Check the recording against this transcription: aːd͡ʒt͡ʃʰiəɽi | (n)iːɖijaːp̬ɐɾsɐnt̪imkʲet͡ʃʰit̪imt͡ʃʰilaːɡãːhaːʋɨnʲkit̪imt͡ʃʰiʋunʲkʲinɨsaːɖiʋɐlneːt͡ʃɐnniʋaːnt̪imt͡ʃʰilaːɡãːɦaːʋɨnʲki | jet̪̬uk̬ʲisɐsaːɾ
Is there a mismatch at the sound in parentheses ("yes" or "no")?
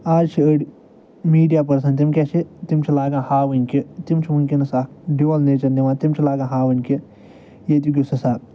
yes